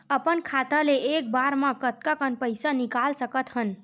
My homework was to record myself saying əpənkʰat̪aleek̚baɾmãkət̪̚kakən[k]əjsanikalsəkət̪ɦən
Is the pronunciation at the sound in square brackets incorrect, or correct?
incorrect